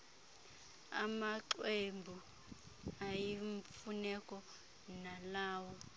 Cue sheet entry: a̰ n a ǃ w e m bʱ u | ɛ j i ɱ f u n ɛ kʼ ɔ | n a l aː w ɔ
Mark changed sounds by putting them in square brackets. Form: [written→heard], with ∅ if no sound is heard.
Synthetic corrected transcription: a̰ [n→m] a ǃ w e m bʱ u | [ɛ→a] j i ɱ f u n ɛ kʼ ɔ | n a l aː w ɔ